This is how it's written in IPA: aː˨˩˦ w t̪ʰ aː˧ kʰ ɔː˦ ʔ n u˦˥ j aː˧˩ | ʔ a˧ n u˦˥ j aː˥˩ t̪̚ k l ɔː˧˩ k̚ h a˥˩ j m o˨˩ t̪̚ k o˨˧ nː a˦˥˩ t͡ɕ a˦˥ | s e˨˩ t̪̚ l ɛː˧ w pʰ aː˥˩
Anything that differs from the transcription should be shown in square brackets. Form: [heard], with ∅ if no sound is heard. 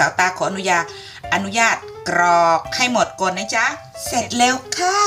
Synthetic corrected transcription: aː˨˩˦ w [t̪] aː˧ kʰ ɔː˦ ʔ n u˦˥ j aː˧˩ | ʔ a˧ n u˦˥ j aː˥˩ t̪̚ k [ɾ] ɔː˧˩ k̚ h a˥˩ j m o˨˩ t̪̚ k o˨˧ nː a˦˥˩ t͡ɕ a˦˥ | s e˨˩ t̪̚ l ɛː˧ w [kʰ] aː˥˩